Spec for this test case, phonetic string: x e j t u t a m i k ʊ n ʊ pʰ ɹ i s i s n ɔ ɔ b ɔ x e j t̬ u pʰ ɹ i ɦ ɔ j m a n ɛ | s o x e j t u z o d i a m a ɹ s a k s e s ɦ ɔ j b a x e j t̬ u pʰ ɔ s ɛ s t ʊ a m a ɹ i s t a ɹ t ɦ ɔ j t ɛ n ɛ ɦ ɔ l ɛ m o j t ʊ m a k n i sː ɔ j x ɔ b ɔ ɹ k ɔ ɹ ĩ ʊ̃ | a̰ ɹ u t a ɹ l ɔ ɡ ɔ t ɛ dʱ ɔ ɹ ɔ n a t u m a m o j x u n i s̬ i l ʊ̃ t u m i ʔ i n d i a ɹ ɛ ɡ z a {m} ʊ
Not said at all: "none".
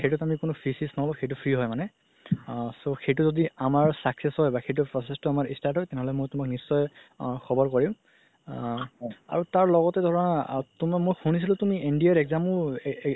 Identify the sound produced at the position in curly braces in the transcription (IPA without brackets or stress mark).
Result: m